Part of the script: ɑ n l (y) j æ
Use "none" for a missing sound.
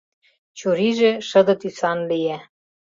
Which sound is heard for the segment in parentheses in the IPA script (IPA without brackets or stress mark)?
i